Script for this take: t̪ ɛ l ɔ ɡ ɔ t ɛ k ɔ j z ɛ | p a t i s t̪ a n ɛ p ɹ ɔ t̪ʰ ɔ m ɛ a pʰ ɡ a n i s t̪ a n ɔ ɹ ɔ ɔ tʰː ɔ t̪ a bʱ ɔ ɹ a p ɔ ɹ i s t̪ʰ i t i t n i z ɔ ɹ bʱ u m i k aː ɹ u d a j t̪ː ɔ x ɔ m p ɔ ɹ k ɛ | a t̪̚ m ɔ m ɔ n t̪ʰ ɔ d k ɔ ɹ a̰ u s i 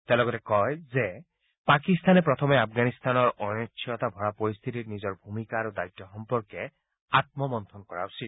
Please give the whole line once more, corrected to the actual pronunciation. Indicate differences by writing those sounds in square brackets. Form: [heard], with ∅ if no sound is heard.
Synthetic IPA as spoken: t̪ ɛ l ɔ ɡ ɔ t ɛ k ɔ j z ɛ | p a [k] i s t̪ a n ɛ p ɹ ɔ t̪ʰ ɔ m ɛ a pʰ ɡ a n i s t̪ a n ɔ ɹ ɔ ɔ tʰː ɔ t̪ a bʱ ɔ ɹ a p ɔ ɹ i s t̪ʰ i t i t n i z ɔ ɹ bʱ u m i k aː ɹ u d a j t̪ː ɔ x ɔ m p ɔ ɹ k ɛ | a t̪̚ m ɔ m ɔ n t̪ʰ ɔ [n] k ɔ ɹ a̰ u s i

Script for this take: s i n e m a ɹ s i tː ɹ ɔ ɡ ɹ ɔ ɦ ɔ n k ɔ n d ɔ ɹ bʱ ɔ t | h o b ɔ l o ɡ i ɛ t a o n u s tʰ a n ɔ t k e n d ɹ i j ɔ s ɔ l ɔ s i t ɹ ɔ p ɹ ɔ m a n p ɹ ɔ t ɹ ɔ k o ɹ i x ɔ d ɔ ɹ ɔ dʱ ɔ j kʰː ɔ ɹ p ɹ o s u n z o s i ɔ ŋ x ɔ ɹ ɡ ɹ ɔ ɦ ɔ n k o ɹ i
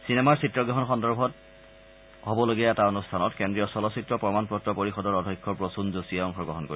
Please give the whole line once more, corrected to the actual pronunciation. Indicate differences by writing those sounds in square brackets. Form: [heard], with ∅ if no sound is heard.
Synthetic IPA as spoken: s i n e m a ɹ s i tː ɹ ɔ ɡ ɹ ɔ ɦ ɔ n [x] ɔ n d ɔ ɹ bʱ ɔ t | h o b ɔ l o ɡ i ɛ t a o n u s tʰ a n ɔ t k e n d ɹ i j ɔ s ɔ l ɔ s i t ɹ ɔ p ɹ ɔ m a n p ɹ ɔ t ɹ ɔ [p] o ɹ i x ɔ d ɔ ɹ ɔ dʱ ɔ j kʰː ɔ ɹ p ɹ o s u n z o s i ɔ ŋ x ɔ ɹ ɡ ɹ ɔ ɦ ɔ n k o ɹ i

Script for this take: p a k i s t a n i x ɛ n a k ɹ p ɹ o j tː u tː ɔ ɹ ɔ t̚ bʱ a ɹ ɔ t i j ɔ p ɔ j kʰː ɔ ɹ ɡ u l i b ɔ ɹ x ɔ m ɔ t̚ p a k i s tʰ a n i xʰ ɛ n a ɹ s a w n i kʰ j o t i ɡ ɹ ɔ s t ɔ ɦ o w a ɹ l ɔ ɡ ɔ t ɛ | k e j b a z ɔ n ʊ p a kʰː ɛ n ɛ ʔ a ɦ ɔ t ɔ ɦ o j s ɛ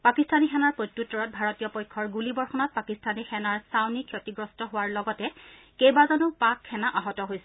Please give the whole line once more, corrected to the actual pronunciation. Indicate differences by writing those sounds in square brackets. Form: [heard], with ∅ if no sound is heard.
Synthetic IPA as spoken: p a k i s t a n i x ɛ n a [∅] ɹ p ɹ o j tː u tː ɔ ɹ ɔ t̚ bʱ a ɹ ɔ t i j ɔ p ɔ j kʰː ɔ ɹ ɡ u l i b ɔ ɹ x ɔ [n] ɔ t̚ p a k i s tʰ a n i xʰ ɛ n a ɹ s a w n i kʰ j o t i ɡ ɹ ɔ s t ɔ ɦ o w a ɹ l ɔ ɡ ɔ t ɛ | k e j b a z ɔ n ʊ p a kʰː ɛ n [a] ʔ a ɦ ɔ t ɔ ɦ o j s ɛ

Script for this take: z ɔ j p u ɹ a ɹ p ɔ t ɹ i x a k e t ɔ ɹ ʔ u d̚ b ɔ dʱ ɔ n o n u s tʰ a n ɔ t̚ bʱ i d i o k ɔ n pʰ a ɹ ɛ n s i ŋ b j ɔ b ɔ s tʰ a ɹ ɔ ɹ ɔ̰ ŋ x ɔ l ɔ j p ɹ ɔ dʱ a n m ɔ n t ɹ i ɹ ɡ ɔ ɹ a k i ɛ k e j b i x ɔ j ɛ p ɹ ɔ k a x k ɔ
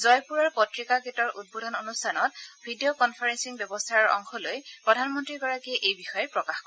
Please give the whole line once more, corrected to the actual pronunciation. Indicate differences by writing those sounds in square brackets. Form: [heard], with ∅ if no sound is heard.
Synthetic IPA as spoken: z ɔ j p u ɹ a ɹ p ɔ t ɹ i [k] a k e t ɔ ɹ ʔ u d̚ b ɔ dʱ ɔ n o n u s tʰ a n ɔ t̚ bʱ i d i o k ɔ n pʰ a ɹ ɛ n s i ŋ b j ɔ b ɔ s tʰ a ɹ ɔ ɹ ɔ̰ ŋ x ɔ l [o] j p ɹ ɔ dʱ a n m ɔ n t ɹ i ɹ ɡ ɔ ɹ a k i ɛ [ʔ] e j b i x ɔ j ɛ p ɹ ɔ k a x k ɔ

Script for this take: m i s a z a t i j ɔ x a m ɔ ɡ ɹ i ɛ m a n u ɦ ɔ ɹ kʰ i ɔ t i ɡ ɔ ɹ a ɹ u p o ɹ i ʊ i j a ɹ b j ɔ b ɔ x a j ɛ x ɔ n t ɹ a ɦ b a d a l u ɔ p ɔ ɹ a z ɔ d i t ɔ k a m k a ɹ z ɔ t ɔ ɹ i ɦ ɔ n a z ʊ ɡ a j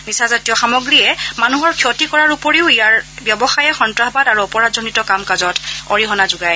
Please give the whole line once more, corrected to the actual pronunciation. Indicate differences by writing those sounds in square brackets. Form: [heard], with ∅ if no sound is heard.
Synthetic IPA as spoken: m i s a z a t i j ɔ x a m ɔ ɡ ɹ i ɛ m a n u ɦ ɔ ɹ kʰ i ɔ t i [k] ɔ ɹ a ɹ u p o ɹ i ʊ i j a ɹ b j ɔ b ɔ x a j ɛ x ɔ n t ɹ a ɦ b a d a [ɹ] u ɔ p ɔ ɹ a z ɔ [n] i t ɔ k a m k a [∅] z ɔ t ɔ ɹ i ɦ ɔ n a z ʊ ɡ a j

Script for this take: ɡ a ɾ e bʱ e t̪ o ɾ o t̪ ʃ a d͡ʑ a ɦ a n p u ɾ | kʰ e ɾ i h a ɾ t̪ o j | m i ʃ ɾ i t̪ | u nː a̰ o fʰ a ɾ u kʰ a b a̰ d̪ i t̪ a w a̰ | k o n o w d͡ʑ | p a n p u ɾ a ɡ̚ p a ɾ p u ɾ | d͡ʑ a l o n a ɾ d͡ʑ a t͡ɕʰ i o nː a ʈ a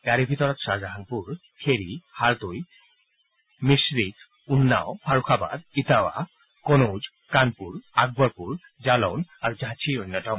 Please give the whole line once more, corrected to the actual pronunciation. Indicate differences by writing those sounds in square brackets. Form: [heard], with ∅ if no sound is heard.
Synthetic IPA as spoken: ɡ a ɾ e bʱ [i] t̪ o ɾ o t̪ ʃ a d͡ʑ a ɦ a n p u ɾ | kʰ e ɾ i h a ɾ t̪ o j | m i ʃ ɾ i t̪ | u nː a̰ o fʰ a ɾ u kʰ a b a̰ d̪ i t̪ a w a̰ | k o n o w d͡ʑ | [k] a n p u ɾ a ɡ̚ [b] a ɾ p u ɾ | d͡ʑ a l o n a ɾ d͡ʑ a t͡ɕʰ i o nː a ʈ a

